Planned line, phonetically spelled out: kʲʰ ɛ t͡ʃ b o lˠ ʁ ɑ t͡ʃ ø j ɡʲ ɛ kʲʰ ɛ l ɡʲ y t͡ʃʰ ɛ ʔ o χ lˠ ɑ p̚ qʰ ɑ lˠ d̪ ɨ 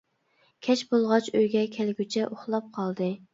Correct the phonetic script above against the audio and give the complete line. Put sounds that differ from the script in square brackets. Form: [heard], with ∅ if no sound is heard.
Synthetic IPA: kʲʰ ɛ t͡ʃ b o lˠ ʁ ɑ t͡ʃ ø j ɡʲ ɛ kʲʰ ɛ l ɡʲ y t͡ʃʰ ɛ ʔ o χ lˠ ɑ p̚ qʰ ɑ lˠ d̪ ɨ